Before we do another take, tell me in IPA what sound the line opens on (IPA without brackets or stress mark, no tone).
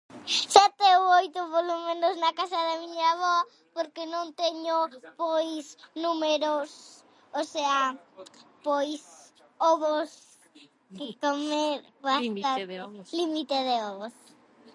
s